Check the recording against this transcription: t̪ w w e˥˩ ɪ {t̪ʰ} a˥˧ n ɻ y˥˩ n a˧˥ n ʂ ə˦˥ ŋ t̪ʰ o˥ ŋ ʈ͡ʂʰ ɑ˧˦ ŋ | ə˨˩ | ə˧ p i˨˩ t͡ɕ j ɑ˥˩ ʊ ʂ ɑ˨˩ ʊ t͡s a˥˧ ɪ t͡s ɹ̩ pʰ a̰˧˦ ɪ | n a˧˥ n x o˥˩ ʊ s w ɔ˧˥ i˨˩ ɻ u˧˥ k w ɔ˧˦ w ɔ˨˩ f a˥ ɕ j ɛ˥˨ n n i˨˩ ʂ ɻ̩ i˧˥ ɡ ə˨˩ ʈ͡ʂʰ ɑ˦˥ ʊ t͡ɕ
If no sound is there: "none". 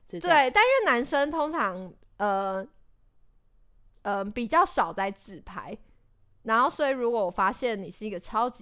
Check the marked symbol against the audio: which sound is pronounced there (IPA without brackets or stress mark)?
t̪